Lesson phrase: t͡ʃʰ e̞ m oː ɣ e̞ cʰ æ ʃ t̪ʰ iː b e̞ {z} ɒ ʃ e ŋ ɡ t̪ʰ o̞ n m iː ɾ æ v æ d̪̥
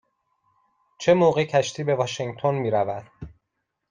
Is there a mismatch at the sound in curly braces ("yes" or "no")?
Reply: yes